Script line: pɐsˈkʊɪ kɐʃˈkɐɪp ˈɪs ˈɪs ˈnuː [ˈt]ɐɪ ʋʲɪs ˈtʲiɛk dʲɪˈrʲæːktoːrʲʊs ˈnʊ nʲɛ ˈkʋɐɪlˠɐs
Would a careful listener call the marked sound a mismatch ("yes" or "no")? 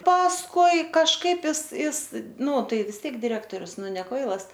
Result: no